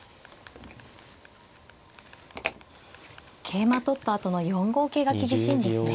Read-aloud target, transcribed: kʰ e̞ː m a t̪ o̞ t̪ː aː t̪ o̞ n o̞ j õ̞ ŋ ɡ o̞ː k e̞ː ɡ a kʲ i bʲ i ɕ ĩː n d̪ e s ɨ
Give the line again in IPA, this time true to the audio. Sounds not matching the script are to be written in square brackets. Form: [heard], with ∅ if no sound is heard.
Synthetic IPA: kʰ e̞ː m a t̪ o̞ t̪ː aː t̪ o̞ n o̞ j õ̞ ŋ ɡ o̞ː k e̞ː ɡ a kʲ i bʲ i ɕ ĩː n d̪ e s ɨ